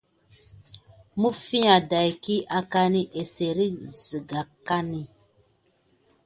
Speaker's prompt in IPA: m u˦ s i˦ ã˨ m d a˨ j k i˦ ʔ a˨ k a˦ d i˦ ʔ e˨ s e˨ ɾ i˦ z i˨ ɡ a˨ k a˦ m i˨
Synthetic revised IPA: m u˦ f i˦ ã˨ d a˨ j k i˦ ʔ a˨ k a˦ n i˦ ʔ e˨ s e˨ ɾ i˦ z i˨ ɡ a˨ k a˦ n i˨